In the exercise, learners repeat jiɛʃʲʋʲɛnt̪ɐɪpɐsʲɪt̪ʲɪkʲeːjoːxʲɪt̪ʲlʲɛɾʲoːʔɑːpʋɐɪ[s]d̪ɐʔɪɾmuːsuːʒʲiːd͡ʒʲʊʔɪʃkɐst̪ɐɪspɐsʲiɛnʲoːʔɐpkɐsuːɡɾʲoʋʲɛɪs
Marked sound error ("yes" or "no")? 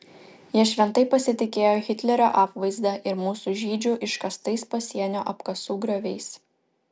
yes